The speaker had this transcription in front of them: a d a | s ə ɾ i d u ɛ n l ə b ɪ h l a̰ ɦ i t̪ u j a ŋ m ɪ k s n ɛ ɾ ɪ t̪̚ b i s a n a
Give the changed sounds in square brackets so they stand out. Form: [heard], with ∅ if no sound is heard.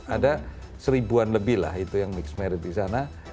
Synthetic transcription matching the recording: a d a | s ə ɾ i [b] u [a] n l ə b ɪ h l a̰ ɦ i t̪ u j a ŋ m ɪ k s [m] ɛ ɾ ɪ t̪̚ [d] i s a n a